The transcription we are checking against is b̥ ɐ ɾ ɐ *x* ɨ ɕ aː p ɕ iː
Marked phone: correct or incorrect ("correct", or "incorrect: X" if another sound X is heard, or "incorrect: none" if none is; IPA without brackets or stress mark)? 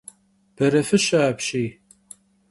incorrect: f